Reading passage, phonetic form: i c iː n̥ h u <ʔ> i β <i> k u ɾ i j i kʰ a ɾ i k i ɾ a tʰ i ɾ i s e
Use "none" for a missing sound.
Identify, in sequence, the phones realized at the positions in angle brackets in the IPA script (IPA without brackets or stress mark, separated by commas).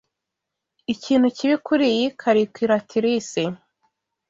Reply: c, i